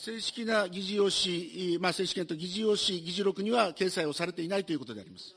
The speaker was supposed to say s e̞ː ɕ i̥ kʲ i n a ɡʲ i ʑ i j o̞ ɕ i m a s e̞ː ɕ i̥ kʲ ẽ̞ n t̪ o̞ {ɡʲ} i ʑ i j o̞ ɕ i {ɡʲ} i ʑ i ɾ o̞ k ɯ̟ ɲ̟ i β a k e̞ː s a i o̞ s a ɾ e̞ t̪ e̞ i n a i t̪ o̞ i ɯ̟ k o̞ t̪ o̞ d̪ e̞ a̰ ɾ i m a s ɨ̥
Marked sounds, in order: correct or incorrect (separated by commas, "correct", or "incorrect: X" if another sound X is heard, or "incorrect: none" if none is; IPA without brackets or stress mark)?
correct, correct